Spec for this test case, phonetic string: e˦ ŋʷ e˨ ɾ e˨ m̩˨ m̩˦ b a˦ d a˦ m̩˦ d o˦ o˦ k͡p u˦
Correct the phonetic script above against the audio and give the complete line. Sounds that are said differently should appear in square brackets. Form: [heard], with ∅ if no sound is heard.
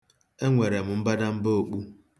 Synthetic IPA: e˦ ŋʷ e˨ ɾ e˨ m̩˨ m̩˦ b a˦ d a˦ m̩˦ [b] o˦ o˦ k͡p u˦